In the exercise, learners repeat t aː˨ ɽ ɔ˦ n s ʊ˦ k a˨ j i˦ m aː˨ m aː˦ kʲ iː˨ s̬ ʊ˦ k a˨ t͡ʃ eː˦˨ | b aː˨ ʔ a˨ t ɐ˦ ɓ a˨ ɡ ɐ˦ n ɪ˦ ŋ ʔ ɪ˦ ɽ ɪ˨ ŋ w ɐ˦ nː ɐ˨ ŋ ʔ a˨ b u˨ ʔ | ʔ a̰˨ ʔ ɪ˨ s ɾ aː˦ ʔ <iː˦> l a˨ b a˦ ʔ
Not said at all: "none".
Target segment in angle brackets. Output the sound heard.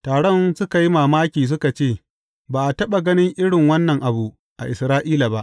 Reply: iː˦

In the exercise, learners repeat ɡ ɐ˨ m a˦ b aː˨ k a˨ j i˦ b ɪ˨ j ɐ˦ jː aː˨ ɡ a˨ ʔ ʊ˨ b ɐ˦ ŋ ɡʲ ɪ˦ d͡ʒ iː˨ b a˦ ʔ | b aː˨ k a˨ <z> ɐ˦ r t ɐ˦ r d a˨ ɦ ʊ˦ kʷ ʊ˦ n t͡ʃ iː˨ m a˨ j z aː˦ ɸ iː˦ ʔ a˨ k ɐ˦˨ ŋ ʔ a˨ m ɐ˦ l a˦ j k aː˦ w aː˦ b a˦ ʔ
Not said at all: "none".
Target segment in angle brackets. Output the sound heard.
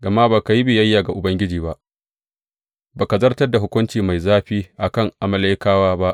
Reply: z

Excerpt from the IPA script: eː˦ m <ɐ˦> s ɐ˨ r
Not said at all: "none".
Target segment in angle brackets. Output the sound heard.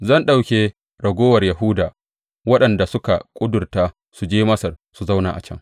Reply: ɐ˦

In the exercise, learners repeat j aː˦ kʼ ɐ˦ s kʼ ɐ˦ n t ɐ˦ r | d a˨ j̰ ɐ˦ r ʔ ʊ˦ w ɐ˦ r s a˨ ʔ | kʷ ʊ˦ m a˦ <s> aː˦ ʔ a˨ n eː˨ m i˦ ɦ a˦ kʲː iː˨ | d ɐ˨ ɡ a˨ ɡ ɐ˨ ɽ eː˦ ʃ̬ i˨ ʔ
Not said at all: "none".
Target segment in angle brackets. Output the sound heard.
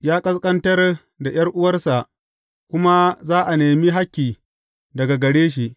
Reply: z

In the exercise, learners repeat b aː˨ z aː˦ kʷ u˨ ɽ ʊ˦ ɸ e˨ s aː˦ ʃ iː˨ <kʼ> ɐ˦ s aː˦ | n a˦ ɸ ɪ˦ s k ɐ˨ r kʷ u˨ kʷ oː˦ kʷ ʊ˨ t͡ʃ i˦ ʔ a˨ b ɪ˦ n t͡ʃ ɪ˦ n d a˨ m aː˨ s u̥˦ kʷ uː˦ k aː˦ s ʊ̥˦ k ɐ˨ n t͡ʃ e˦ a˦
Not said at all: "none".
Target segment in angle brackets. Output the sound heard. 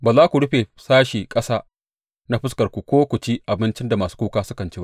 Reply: kʼ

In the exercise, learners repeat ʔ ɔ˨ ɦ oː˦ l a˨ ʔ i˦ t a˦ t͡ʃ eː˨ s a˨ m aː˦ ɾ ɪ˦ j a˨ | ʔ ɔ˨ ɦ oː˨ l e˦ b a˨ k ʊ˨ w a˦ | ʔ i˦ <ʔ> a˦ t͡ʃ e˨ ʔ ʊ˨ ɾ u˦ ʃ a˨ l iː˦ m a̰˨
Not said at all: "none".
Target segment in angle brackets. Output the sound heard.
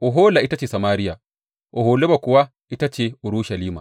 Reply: t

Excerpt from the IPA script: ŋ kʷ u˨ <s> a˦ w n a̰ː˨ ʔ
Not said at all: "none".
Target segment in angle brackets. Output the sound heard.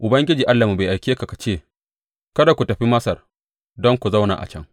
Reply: z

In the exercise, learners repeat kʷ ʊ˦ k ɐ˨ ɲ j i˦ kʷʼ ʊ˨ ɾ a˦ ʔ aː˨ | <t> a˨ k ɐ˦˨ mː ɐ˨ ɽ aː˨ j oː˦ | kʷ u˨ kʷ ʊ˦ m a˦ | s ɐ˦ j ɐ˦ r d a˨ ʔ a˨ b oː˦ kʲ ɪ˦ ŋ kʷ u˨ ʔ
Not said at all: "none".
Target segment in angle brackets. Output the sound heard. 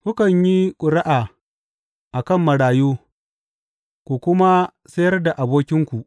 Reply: ʔ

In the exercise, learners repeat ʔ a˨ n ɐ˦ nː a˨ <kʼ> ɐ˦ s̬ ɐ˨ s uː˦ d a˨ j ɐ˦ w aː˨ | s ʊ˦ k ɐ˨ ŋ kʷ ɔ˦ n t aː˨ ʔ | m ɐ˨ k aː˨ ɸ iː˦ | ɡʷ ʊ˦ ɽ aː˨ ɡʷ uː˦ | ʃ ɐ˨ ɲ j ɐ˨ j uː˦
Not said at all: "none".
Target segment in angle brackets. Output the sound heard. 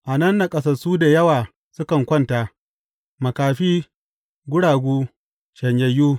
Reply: kʼ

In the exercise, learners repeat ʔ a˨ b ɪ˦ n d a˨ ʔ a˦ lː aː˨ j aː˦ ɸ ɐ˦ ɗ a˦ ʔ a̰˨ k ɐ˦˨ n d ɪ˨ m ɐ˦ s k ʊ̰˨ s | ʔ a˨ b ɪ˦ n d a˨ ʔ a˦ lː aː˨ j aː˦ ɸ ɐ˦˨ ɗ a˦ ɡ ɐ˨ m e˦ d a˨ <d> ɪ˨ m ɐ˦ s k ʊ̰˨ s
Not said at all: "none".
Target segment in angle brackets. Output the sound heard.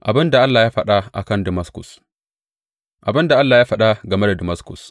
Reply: d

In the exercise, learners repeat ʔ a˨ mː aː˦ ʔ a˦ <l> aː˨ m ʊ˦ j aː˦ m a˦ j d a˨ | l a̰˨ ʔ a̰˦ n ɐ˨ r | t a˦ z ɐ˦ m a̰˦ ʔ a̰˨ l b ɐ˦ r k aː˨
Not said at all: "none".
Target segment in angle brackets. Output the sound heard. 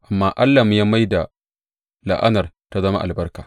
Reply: lː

